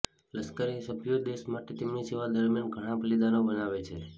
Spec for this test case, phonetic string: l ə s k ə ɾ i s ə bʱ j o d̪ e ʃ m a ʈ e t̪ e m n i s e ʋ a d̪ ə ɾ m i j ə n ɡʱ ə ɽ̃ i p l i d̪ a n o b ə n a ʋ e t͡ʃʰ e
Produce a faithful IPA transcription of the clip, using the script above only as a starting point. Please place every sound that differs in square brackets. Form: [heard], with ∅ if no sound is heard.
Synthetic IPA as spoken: l ə s k ə ɾ i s ə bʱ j o d̪ e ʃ m a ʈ e t̪ e m n i s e ʋ a d̪ ə ɾ m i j [a] n ɡʱ ə ɽ̃ [a] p l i d̪ a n o b ə n a ʋ e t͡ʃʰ e